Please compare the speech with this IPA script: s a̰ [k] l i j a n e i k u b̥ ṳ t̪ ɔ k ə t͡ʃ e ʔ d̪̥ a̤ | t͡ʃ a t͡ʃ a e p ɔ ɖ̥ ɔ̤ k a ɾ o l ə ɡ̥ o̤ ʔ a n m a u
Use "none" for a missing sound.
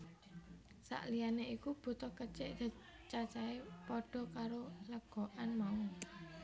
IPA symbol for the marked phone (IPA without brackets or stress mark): ʔ